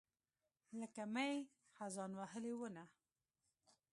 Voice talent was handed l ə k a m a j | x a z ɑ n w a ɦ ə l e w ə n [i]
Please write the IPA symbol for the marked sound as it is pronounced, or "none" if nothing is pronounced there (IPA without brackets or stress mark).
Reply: a